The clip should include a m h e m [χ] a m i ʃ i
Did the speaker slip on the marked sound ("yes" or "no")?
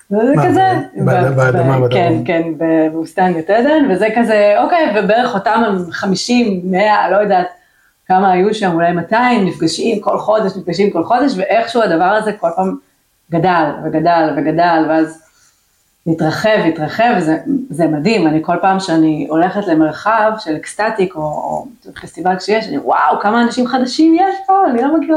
no